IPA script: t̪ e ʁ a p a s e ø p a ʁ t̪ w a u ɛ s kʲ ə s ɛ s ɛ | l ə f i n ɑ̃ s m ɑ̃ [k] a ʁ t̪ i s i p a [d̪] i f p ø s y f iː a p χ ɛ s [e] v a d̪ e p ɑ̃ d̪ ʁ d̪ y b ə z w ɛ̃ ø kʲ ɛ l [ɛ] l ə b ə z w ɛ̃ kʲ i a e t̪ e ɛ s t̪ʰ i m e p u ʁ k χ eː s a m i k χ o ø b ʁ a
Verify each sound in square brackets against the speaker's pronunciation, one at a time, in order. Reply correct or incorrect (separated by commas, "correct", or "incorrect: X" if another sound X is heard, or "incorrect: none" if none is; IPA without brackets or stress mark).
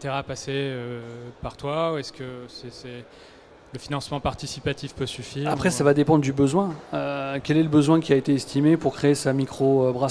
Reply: incorrect: p, incorrect: t̪, incorrect: a, correct